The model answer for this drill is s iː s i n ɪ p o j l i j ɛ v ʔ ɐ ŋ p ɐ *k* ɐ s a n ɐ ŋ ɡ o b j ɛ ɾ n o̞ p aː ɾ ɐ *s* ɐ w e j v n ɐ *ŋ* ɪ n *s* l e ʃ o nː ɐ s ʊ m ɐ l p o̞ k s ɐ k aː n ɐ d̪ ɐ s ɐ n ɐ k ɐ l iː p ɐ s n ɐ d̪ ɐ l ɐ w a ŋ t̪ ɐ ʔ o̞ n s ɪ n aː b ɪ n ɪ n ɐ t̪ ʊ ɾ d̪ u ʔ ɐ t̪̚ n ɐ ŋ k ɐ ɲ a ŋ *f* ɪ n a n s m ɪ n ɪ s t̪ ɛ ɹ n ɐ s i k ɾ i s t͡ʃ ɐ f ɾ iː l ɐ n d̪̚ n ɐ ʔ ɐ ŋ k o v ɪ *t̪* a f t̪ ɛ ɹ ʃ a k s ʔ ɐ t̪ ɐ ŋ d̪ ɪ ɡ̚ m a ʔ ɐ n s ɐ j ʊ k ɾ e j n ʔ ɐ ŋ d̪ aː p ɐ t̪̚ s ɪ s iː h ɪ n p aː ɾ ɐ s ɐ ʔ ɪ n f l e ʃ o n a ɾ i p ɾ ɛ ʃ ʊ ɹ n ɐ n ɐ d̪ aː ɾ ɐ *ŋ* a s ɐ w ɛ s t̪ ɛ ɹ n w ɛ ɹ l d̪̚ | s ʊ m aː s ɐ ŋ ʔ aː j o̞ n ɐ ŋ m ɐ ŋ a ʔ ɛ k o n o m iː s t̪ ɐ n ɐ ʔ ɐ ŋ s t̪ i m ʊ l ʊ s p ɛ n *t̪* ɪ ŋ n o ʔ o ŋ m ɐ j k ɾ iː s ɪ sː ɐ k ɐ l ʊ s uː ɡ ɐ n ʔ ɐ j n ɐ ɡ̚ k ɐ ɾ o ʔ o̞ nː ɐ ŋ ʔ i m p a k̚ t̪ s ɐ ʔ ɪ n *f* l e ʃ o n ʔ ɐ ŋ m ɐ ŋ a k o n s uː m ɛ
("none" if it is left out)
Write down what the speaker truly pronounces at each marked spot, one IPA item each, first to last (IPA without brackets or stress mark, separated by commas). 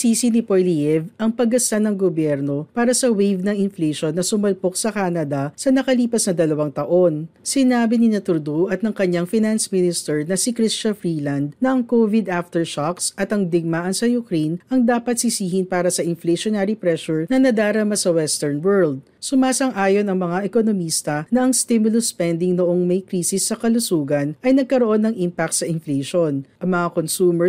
ɡ, s, ŋ, f, f, d̪, m, d̪, f